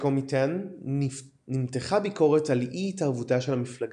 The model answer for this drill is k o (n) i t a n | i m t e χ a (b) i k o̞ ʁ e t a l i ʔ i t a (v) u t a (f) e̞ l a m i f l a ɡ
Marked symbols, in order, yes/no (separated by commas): no, yes, yes, no